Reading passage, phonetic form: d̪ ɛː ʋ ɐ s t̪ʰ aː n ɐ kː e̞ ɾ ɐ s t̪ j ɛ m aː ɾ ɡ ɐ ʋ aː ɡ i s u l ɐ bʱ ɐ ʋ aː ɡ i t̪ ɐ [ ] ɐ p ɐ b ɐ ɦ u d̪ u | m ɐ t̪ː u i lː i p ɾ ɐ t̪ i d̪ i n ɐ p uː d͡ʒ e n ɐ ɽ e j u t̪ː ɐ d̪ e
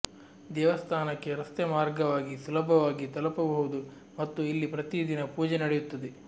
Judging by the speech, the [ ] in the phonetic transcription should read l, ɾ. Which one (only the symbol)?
l